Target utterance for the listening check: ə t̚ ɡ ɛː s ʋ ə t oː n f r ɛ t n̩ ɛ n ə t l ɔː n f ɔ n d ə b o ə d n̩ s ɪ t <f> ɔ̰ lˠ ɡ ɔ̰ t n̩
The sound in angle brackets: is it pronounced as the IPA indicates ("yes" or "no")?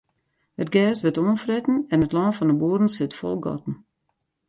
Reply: yes